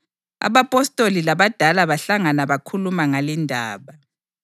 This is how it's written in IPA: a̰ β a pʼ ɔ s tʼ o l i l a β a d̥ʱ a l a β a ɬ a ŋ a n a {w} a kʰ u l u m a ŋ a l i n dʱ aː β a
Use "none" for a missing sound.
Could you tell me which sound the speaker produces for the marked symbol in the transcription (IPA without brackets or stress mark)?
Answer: β